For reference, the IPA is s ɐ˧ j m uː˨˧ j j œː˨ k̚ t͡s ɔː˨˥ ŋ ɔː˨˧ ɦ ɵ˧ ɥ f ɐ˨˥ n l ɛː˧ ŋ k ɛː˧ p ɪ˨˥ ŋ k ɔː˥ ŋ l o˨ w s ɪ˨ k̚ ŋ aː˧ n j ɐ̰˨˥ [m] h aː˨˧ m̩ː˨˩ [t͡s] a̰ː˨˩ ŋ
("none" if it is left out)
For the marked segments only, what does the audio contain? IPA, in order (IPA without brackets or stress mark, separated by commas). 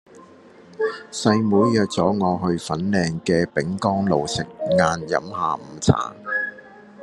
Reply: m, t͡sʰ